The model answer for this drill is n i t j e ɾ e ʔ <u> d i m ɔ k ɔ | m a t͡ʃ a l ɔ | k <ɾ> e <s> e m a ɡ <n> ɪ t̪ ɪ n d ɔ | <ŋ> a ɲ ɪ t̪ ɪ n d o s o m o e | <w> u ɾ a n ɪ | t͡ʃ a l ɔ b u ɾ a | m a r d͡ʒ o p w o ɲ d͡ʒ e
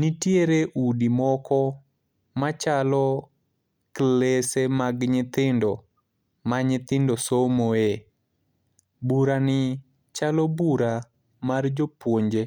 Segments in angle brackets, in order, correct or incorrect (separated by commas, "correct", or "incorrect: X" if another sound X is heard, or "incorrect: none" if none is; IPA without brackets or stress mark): correct, incorrect: l, correct, incorrect: ɲ, incorrect: m, incorrect: b